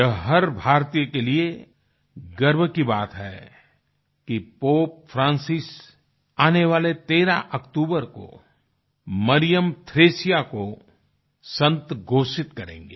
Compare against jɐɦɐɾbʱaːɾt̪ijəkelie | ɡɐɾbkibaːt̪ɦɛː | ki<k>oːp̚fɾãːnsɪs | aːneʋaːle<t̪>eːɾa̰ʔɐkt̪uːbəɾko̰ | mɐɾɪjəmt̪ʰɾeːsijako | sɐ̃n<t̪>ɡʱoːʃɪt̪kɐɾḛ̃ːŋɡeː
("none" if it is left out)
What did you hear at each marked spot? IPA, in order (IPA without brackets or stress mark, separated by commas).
p, t̪, t̪